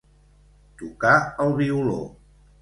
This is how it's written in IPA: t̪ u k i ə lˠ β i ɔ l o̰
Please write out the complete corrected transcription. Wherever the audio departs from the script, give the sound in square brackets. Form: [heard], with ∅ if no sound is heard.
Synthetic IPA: t̪ u k [a] ə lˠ β i [u] l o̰